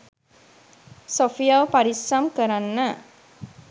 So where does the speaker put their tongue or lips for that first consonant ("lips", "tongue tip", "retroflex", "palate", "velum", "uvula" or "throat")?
tongue tip